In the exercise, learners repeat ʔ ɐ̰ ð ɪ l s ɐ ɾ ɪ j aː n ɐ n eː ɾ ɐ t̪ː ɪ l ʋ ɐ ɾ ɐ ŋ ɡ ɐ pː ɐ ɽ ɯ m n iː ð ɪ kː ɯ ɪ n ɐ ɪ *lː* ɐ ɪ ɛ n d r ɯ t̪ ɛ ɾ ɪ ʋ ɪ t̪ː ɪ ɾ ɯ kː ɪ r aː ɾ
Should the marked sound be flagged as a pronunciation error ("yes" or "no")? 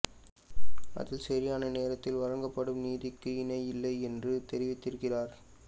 no